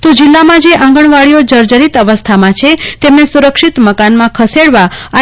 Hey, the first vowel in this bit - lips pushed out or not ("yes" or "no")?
yes